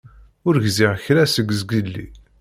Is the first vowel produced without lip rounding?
no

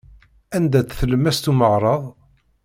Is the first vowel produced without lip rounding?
yes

